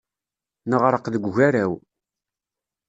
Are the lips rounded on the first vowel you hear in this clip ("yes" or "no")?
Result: no